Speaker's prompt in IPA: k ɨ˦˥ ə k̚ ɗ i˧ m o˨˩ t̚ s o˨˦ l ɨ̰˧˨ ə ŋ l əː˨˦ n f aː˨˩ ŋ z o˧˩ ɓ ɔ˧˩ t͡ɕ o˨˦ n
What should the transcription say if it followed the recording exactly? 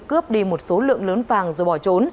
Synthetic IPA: k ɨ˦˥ ə p̚ ɗ i˧ m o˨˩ t̚ s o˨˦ l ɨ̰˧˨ ə ŋ l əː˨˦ n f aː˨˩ ŋ z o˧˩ ɓ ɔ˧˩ t͡ɕ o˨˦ n